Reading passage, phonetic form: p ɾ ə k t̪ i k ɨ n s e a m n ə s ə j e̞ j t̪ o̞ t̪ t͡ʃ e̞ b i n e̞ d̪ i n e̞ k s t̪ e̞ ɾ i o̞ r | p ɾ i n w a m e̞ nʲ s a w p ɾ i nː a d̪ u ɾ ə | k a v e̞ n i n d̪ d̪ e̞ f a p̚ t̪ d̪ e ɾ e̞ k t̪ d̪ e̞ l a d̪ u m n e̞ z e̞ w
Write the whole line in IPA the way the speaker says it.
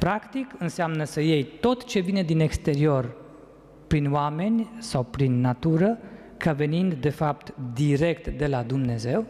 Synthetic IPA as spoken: p ɾ a k t̪ i k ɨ n s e a m n ə s ə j e̞ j t̪ o̞ t̪ t͡ʃ e̞ v i n e̞ d̪ i n e̞ k s t̪ e̞ ɾ i o̞ r | p ɾ i n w a m e̞ nʲ s a w p ɾ i nː a t̪ u ɾ ə | k a v e̞ n i n d̪ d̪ e̞ f a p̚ t̪ d̪ i ɾ e̞ k t̪ d̪ e̞ l a d̪ u m n e̞ z e̞ w